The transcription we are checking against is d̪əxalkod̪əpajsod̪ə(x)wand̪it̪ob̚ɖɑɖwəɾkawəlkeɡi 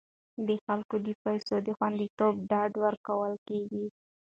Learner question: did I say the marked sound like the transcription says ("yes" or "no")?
yes